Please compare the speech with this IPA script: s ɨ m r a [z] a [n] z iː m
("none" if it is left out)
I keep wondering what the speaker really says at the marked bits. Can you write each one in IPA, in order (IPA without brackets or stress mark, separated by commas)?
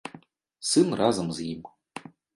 z, m